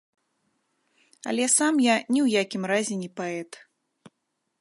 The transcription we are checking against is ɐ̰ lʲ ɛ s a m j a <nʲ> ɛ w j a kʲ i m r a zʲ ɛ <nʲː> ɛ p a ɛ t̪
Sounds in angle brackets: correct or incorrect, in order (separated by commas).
correct, incorrect